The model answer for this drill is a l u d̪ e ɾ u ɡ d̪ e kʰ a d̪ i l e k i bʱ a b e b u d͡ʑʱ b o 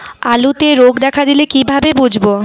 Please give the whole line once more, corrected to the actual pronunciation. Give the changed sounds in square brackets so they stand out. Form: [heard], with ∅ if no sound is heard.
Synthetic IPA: a l u [t̪] e ɾ [o] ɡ d̪ [ɛ] kʰ a d̪ i l e k i bʱ a b e b u d͡ʑʱ b o